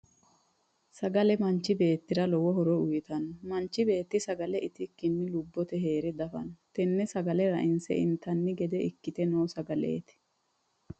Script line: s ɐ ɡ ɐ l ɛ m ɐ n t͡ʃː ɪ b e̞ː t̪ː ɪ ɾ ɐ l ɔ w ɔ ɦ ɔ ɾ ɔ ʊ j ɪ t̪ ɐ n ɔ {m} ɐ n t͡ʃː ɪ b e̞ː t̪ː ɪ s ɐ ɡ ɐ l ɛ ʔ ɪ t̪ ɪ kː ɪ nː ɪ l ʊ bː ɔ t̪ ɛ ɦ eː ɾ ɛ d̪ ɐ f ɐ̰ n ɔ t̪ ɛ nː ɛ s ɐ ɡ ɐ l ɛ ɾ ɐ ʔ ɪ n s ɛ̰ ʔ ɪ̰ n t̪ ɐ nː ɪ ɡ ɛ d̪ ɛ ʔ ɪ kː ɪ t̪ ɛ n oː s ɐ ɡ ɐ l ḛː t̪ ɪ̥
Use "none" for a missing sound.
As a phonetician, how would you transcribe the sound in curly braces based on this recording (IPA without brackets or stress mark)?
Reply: m